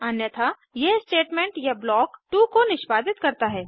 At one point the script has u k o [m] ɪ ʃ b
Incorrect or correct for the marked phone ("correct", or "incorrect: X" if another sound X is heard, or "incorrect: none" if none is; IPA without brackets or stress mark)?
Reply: incorrect: n